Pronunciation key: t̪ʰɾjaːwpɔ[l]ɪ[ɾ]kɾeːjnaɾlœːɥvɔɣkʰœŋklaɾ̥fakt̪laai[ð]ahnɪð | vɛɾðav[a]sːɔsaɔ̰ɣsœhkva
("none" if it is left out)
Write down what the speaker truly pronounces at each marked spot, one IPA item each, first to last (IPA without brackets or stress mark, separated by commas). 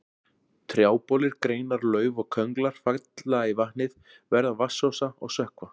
l, ɾ, v, a